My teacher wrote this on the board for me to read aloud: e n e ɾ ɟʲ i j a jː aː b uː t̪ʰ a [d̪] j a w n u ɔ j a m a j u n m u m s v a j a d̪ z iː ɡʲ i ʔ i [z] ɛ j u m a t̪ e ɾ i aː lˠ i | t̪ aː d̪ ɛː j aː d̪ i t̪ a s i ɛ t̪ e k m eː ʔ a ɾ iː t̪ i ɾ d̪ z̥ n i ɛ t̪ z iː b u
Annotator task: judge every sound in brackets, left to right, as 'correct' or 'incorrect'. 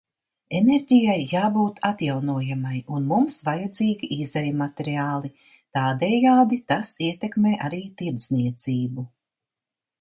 incorrect: t̪, correct

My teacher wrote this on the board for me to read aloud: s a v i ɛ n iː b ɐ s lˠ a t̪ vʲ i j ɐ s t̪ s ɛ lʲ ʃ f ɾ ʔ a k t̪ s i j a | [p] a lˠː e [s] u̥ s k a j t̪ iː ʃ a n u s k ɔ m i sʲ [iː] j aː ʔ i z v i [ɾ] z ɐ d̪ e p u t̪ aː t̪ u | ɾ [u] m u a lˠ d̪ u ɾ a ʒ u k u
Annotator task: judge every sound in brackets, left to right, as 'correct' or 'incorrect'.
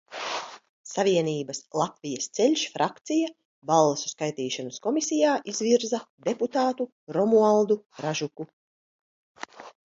incorrect: b, correct, incorrect: i, correct, incorrect: ɔ

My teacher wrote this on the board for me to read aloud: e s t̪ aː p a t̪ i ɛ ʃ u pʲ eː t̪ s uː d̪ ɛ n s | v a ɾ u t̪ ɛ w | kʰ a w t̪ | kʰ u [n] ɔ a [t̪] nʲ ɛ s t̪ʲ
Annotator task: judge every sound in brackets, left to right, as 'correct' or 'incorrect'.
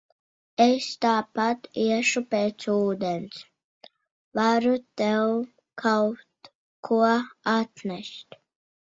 incorrect: none, correct

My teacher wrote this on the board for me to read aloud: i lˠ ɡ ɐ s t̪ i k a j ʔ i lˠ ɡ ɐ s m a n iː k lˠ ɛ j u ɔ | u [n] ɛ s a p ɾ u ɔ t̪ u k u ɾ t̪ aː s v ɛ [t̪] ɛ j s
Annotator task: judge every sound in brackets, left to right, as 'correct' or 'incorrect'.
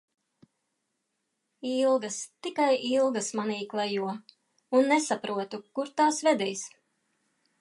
incorrect: nː, incorrect: d̪

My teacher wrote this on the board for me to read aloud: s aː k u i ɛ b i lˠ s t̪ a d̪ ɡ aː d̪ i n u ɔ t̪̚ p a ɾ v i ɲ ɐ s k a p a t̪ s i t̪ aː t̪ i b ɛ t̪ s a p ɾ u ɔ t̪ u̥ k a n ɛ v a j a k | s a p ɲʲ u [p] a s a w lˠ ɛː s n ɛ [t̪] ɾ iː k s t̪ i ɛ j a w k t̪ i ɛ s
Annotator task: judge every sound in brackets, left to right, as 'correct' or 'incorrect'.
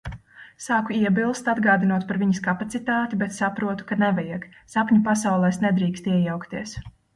correct, incorrect: d̪

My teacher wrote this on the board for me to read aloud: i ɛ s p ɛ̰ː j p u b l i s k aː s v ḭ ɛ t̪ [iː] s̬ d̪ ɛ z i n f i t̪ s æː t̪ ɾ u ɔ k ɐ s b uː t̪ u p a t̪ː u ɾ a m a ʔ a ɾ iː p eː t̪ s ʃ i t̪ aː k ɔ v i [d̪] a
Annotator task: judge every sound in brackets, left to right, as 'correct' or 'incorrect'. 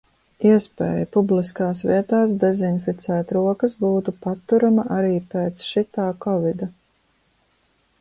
incorrect: aː, correct

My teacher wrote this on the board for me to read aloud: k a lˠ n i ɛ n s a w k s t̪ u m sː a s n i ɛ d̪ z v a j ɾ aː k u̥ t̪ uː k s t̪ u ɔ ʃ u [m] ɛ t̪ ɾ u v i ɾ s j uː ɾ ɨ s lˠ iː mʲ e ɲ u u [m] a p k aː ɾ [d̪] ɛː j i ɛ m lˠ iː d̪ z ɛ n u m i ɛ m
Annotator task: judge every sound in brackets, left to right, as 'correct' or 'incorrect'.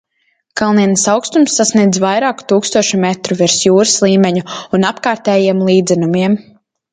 correct, incorrect: n, incorrect: t̪

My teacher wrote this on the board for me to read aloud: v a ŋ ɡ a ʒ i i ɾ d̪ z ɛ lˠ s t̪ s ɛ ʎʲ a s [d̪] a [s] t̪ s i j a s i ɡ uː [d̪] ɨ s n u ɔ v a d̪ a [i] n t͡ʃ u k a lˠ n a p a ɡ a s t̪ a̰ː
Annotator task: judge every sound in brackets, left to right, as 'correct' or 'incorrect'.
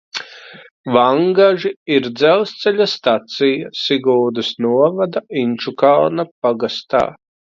incorrect: t̪, incorrect: none, correct, correct

